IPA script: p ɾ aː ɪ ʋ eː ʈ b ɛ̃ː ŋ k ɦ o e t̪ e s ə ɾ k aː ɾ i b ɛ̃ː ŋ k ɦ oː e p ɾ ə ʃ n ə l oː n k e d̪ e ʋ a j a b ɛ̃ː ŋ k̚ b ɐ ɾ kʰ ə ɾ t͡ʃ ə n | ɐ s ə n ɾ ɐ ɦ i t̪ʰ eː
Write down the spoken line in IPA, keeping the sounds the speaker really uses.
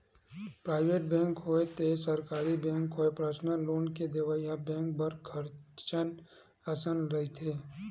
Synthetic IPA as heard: p ɾ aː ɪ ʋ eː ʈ b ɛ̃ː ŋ k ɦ o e t̪ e s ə ɾ k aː ɾ i b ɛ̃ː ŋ k ɦ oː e p ɾ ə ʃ n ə l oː n k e d̪ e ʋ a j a b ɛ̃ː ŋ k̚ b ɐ ɾ kʰ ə ɾ t͡ʃ ə n | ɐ s ə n ɾ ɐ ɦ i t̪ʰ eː